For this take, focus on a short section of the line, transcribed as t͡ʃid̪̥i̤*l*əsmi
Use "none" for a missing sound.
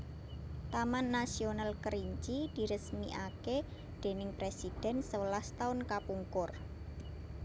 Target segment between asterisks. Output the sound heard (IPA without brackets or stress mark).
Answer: ɾ